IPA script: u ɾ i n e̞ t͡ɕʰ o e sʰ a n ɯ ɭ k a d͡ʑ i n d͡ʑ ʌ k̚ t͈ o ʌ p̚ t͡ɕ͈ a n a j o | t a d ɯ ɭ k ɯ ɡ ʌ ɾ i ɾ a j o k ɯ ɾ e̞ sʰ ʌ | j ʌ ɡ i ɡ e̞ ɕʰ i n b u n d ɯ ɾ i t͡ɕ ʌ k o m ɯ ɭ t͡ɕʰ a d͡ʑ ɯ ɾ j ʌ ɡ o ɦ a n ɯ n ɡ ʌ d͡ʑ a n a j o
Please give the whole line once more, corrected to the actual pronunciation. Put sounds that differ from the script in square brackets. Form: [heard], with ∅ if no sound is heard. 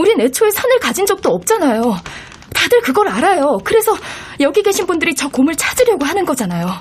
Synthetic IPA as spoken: u ɾ i n e̞ t͡ɕʰ o e sʰ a n ɯ ɭ k a d͡ʑ i n d͡ʑ ʌ k̚ t͈ o ʌ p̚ t͡ɕ͈ a n a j o | t a d ɯ ɭ k ɯ ɡ ʌ ɾ [a] ɾ a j o k ɯ ɾ e̞ sʰ ʌ | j ʌ ɡ i ɡ e̞ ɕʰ i n b u n d ɯ ɾ i t͡ɕ ʌ k o m ɯ ɭ t͡ɕʰ a d͡ʑ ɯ ɾ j ʌ ɡ o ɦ a n ɯ n ɡ ʌ d͡ʑ a n a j o